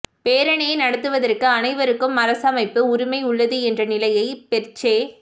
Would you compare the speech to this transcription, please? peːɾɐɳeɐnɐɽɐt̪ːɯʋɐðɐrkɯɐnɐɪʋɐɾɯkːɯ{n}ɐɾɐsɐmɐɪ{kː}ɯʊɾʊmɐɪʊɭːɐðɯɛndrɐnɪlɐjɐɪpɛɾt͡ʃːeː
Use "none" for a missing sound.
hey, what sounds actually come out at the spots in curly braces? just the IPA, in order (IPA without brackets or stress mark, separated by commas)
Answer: m, pː